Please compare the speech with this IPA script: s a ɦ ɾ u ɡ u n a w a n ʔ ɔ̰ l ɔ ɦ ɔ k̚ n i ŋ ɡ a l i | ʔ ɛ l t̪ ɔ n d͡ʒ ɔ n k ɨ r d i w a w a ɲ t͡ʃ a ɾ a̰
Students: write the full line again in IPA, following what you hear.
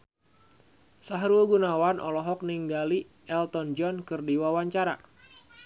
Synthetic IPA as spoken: s a ɦ ɾ u ɡ u n a w a n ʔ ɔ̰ l ɔ ɦ ɔ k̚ n i ŋ ɡ a l i | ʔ ɛ l t̪ ɔ n d͡ʒ ɔ n k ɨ r d i w a w a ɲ t͡ʃ a ɾ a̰